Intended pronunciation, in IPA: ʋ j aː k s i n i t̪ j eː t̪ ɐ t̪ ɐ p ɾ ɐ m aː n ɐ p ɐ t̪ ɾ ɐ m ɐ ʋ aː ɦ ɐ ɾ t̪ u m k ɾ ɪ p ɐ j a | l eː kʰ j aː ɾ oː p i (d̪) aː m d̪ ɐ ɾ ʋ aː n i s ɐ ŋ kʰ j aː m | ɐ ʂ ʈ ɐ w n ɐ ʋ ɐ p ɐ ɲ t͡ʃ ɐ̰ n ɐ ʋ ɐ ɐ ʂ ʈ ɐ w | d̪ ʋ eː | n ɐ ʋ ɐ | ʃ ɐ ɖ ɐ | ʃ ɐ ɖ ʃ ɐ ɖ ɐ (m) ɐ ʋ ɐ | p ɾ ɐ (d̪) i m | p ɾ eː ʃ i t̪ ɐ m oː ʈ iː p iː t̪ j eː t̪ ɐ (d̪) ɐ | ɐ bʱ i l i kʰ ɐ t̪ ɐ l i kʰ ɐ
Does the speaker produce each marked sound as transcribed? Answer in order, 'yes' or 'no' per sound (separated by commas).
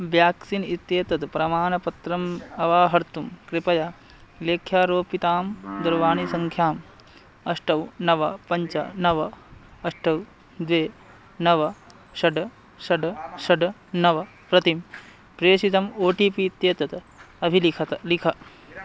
no, no, no, no